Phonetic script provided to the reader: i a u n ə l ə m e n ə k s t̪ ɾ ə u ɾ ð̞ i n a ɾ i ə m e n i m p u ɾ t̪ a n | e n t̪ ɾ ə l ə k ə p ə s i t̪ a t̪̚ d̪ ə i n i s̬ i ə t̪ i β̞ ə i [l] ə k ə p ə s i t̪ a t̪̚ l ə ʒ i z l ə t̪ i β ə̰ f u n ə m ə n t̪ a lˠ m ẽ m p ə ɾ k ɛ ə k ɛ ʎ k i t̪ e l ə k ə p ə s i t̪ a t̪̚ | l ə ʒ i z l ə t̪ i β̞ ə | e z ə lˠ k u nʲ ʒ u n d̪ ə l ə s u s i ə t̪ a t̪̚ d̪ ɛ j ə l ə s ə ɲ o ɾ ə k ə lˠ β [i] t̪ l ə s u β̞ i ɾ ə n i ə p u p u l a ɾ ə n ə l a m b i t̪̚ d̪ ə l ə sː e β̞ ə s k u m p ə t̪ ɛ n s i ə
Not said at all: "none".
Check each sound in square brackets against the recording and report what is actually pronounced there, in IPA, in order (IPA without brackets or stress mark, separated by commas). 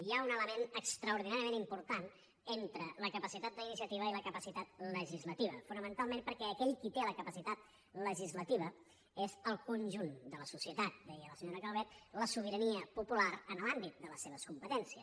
l, ɛ